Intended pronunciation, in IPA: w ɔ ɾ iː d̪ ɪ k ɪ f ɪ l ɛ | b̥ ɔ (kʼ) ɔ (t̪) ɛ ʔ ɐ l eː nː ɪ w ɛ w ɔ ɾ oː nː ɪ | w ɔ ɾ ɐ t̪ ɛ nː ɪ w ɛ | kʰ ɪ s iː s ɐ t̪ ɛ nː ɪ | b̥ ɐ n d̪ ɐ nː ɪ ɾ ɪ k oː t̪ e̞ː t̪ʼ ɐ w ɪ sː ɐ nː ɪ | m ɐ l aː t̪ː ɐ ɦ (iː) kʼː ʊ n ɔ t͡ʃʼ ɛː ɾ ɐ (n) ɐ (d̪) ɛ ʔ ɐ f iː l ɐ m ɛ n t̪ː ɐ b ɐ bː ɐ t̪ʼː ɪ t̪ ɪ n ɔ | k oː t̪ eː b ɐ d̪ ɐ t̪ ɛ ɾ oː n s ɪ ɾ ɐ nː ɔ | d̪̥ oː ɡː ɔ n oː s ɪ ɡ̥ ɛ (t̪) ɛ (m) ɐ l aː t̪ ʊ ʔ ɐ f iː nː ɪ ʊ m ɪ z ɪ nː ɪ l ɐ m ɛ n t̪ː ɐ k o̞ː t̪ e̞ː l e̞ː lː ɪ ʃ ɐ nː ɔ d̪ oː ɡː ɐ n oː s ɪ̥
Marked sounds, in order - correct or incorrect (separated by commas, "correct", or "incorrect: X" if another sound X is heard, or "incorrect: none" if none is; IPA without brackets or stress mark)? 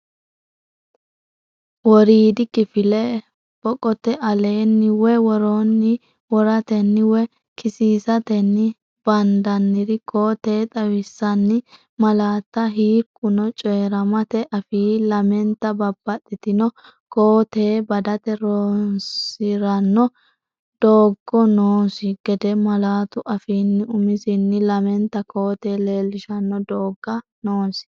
correct, correct, correct, incorrect: m, incorrect: t̪, incorrect: d̪, correct